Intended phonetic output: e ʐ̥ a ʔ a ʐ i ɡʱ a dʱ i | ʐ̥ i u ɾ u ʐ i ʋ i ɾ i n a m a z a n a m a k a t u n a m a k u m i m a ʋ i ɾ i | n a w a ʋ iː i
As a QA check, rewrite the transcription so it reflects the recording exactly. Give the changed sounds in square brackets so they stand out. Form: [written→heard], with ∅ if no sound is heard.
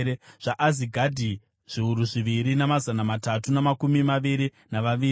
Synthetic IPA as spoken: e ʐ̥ a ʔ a [ʐ→z] i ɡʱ a dʱ i | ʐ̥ i u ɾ u ʐ i ʋ i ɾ i n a m a z a n a m a [k→t] a t u n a m a k u m i m a ʋ i ɾ i | n a [w→ʋ] a ʋ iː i